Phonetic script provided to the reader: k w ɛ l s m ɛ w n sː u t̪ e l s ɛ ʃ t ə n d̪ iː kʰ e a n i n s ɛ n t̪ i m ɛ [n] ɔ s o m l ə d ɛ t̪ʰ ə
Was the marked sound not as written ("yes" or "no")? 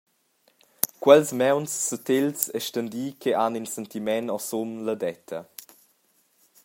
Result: no